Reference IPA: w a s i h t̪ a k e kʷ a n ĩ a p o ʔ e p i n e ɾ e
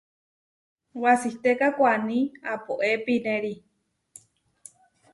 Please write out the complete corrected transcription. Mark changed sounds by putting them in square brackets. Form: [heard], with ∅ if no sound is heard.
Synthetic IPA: w a s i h t̪ [e] k [a] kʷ a n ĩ a p o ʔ e p i n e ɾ [i]